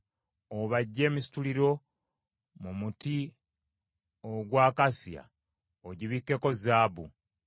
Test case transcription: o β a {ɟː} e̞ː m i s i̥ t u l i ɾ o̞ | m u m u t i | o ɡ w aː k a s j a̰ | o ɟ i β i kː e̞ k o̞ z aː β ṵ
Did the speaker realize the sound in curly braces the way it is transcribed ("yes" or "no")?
yes